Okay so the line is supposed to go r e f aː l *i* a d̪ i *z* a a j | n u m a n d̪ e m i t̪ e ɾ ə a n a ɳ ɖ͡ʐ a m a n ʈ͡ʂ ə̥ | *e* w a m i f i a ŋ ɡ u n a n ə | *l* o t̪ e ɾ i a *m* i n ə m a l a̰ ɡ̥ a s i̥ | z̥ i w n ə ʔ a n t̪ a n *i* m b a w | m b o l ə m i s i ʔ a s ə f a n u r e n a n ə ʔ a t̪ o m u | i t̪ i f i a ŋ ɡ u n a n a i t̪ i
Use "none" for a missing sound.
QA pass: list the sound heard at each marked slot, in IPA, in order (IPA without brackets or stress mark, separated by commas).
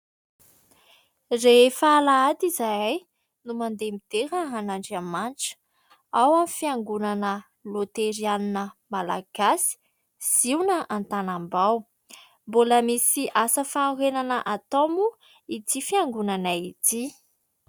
a, z, a, l, n, a